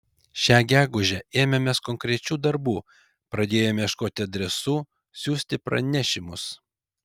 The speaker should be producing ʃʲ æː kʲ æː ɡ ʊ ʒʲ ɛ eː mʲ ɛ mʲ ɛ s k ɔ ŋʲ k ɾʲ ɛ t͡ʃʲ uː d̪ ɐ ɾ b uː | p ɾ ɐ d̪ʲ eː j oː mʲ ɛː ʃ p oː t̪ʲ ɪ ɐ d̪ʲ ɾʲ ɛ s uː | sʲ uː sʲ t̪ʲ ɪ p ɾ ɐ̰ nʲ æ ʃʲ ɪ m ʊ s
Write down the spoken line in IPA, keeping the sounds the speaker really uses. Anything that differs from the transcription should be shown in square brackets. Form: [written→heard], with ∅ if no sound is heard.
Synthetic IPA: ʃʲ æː [kʲ→ɡʲ] æː ɡ ʊ ʒʲ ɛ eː mʲ ɛ mʲ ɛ s k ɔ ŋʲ k ɾʲ ɛ t͡ʃʲ uː d̪ ɐ ɾ b uː | p ɾ ɐ d̪ʲ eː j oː mʲ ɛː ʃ [p→k] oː t̪ʲ ɪ ɐ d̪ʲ ɾʲ ɛ s uː | sʲ uː sʲ t̪ʲ ɪ p ɾ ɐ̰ nʲ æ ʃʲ ɪ m ʊ s